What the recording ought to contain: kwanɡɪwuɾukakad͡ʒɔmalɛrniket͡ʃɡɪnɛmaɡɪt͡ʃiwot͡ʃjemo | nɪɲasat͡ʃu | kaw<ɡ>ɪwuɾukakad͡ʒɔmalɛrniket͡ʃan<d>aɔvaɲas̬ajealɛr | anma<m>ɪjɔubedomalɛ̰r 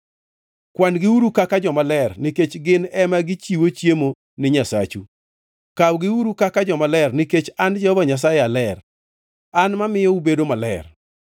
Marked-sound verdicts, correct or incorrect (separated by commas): correct, incorrect, correct